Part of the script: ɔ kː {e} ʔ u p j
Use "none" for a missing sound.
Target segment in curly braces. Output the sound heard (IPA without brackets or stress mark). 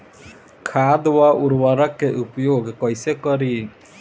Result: e